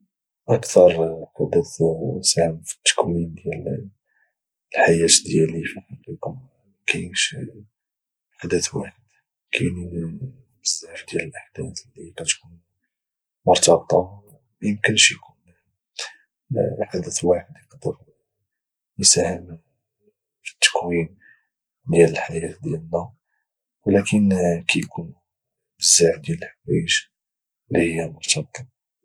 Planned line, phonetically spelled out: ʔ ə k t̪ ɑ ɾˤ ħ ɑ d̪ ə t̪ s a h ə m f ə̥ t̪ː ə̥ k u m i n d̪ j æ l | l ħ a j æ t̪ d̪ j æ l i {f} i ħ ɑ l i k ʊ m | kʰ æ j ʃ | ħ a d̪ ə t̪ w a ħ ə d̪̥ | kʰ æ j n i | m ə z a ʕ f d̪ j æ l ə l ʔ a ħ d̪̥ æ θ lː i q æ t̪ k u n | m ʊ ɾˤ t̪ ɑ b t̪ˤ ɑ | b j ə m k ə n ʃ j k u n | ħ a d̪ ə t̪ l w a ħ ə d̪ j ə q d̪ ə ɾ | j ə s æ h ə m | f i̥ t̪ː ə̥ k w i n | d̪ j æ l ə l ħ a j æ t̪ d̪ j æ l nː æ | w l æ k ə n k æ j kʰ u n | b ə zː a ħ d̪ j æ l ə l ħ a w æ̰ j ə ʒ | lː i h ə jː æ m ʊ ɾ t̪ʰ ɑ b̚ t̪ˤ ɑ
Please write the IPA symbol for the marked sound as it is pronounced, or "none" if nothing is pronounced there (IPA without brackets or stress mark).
f